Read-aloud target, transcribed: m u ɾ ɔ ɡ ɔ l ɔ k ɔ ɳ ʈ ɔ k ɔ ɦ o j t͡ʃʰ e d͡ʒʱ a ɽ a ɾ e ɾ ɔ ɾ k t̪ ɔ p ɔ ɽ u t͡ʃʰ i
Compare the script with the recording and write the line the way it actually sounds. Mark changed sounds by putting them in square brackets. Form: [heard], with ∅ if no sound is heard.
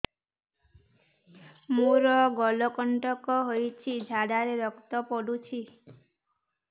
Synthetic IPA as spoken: m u ɾ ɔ ɡ ɔ l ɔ k ɔ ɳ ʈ ɔ k ɔ ɦ o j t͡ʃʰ [i] d͡ʒʱ a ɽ a ɾ e ɾ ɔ [∅] k t̪ ɔ p ɔ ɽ u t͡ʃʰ i

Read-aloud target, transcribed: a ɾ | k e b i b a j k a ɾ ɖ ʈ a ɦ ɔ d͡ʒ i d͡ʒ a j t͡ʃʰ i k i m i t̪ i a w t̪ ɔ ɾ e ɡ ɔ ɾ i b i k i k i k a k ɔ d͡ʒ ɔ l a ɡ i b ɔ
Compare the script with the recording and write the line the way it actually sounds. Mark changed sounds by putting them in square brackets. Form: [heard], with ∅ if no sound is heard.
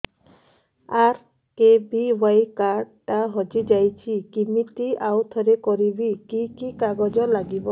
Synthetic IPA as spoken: a ɾ | k e b i [w] a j k a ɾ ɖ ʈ a ɦ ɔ d͡ʒ i d͡ʒ a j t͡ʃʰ i k i m i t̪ i a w [t̪ʰ] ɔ ɾ e [k] ɔ ɾ i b i k i k i k a [ɡ] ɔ d͡ʒ ɔ l a ɡ i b ɔ

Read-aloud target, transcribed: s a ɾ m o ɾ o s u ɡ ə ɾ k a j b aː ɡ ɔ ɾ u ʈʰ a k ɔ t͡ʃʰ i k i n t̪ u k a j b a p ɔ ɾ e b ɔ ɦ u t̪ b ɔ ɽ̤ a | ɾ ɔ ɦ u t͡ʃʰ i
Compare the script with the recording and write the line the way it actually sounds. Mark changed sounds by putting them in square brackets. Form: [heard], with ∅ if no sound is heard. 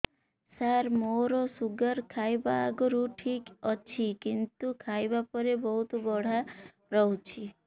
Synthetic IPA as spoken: s a ɾ m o ɾ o s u ɡ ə ɾ [kʰ] a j b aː ɡ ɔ ɾ u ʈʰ [i] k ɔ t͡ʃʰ i k i n t̪ u [kʰ] a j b a p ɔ ɾ e b ɔ ɦ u t̪ b ɔ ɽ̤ a | ɾ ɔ ɦ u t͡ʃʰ i

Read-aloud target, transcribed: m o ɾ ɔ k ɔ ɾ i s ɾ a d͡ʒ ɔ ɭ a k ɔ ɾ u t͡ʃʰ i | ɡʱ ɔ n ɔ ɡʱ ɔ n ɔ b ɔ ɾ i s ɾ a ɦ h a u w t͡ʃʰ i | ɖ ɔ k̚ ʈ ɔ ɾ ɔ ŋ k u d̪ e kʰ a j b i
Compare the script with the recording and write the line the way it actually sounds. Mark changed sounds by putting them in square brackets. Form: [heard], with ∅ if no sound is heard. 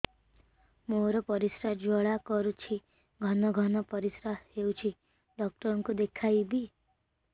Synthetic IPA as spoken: m o ɾ ɔ [p] ɔ ɾ i s ɾ a d͡ʒ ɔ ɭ a k ɔ ɾ u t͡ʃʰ i | ɡʱ ɔ n ɔ ɡʱ ɔ n ɔ [p] ɔ ɾ i s ɾ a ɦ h [e] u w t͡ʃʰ i | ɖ ɔ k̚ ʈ ɔ ɾ ɔ ŋ k u d̪ e kʰ a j b i

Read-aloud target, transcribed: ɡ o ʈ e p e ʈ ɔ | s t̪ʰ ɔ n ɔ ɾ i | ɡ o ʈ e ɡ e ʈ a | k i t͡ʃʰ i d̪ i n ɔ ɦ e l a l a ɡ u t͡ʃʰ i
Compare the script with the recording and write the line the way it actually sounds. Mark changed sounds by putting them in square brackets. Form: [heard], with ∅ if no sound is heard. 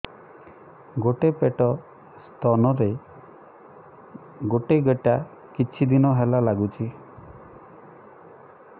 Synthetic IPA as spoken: ɡ o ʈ e p e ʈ ɔ | s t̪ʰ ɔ n ɔ ɾ [e] | ɡ o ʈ e ɡ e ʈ a | k i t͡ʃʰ i d̪ i n ɔ ɦ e l a l a ɡ u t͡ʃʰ i

